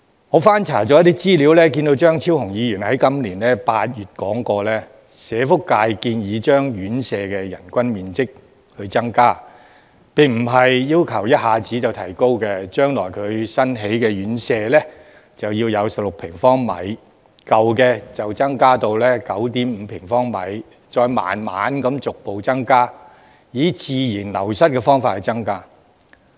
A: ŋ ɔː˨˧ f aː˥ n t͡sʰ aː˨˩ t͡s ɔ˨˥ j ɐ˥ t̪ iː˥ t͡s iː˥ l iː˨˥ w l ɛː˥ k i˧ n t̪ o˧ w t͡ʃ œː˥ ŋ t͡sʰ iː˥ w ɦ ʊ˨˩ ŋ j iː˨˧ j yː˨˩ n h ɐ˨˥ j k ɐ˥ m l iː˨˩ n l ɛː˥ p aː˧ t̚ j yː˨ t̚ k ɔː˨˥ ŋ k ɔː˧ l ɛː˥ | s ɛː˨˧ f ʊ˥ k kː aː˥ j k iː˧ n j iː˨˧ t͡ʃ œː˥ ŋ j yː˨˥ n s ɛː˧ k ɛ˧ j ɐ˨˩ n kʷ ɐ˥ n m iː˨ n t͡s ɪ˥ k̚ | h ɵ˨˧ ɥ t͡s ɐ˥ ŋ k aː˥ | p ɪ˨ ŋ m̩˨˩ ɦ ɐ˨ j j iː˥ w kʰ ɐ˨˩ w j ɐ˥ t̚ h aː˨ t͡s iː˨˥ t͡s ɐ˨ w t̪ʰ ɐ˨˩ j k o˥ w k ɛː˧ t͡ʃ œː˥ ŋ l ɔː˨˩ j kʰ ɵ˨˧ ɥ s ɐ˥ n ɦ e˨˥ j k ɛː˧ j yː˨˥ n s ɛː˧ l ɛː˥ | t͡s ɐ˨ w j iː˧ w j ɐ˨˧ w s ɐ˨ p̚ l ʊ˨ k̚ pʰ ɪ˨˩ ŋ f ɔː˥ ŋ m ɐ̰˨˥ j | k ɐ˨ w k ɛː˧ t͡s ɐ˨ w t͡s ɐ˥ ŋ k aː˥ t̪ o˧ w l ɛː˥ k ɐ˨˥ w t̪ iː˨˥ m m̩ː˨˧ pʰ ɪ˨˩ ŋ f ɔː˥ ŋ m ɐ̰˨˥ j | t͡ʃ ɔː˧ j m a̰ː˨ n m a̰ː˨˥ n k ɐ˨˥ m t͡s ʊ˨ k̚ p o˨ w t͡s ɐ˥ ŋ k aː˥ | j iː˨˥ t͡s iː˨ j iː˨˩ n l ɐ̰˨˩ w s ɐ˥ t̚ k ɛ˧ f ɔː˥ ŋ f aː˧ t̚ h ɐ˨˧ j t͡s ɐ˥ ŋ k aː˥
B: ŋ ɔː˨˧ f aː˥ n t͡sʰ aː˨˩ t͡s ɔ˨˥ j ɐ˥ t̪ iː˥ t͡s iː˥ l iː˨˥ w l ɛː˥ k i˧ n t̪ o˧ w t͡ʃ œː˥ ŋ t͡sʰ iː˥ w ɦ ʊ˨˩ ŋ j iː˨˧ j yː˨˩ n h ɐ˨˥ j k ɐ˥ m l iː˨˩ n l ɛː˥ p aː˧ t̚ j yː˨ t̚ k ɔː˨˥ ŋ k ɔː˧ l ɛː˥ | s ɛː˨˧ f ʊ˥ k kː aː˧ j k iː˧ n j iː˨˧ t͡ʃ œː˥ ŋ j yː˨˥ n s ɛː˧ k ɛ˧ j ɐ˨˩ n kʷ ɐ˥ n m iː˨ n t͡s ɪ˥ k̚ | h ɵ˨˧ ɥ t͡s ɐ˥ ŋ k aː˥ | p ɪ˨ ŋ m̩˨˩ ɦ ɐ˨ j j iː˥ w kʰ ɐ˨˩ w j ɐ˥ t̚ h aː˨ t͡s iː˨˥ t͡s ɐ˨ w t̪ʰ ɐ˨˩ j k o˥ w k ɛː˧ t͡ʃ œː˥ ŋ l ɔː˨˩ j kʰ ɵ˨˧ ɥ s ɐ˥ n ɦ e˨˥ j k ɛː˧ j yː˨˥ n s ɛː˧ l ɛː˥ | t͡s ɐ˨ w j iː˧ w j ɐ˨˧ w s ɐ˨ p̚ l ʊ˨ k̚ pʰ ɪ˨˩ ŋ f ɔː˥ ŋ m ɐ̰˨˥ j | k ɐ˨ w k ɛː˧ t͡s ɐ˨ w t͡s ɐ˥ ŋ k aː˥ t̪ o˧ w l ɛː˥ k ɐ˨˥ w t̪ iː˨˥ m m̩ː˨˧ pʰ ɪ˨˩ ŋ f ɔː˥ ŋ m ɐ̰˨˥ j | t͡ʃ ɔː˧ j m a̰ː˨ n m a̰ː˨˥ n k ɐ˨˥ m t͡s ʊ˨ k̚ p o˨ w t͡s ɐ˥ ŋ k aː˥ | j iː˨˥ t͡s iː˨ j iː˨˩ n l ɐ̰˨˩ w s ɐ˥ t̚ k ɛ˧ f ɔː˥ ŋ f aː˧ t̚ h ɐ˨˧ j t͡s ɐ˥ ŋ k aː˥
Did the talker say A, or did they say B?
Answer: B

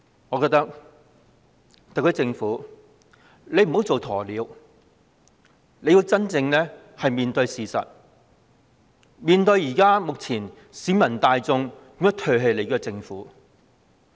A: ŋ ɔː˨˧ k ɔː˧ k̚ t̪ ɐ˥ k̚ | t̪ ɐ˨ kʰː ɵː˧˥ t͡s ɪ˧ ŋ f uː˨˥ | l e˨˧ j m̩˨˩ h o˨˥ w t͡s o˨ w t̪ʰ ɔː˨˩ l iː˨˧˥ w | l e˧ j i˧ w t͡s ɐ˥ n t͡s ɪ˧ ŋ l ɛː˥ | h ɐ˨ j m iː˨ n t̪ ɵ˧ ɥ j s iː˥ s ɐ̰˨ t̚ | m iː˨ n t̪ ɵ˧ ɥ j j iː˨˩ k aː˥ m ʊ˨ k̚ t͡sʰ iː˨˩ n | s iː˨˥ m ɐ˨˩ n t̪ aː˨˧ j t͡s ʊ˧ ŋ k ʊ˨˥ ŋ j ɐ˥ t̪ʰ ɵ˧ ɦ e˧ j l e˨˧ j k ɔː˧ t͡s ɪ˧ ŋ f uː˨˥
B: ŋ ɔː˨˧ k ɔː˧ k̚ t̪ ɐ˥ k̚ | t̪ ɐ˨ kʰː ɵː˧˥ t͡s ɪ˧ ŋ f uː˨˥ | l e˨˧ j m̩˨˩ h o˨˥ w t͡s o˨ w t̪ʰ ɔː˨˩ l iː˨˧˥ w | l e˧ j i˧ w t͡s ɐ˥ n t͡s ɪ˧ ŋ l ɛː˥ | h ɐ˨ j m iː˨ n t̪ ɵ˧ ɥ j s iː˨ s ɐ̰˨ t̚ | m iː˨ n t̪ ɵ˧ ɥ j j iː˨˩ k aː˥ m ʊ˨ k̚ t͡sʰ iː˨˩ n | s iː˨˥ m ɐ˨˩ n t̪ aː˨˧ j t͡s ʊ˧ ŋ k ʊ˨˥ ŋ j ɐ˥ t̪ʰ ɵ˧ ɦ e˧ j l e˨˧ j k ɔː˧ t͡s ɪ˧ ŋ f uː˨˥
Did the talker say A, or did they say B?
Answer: B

